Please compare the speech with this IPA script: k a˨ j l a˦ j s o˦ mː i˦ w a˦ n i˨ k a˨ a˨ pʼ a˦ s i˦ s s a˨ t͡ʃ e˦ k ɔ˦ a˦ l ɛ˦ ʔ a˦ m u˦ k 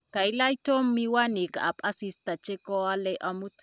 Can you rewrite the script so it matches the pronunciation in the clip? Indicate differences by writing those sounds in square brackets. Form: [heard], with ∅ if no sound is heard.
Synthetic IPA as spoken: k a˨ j l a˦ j [t] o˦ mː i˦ w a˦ n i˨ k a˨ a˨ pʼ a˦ s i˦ s [t] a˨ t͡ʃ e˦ k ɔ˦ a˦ l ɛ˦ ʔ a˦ m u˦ [t]